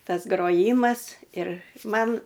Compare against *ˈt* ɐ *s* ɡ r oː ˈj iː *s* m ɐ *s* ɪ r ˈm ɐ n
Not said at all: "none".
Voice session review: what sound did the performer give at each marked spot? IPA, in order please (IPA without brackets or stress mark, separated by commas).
t, s, none, s